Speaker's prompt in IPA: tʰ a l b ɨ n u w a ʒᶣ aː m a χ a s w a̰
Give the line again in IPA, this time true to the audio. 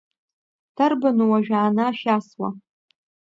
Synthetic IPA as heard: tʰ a r b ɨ n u w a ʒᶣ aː n a ʃ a s w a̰